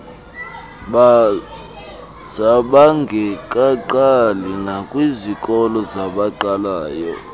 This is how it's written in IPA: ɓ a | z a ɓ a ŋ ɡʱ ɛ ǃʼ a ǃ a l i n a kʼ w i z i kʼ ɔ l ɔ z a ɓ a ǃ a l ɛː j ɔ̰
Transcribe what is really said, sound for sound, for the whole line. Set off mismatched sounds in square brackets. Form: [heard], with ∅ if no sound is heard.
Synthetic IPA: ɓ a | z a ɓ a ŋ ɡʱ ɛ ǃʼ a ǃ a l i n a kʼ w i z i kʼ ɔ l ɔ z a ɓ a ǃ a l [aː] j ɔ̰